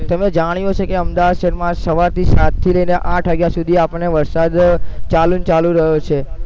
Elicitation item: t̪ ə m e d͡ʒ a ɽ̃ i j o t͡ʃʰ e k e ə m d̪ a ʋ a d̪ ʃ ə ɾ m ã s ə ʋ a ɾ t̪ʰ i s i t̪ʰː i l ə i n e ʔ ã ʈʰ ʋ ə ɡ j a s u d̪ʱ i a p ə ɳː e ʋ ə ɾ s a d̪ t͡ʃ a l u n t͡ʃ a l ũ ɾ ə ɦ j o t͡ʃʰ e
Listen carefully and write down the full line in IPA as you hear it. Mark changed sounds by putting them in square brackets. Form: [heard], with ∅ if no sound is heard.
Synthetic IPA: t̪ ə m e d͡ʒ a ɽ̃ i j o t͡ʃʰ e k e ə m d̪ a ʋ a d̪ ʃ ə ɾ m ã s ə ʋ a ɾ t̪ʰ i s [a] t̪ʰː i l ə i n e ʔ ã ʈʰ ʋ ə ɡ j a s u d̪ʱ i a p ə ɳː e ʋ ə ɾ s a d̪ t͡ʃ a l u n t͡ʃ a l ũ ɾ ə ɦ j o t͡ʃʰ e